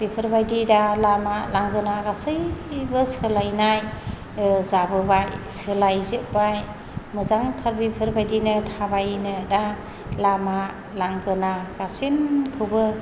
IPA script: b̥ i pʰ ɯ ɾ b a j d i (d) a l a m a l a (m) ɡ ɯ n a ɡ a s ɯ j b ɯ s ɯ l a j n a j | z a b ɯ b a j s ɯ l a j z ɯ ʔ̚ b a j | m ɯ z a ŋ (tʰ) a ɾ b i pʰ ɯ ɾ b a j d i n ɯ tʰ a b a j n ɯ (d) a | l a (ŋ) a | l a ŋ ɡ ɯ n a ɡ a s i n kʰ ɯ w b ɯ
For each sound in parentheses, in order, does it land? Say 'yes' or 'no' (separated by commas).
yes, no, yes, yes, no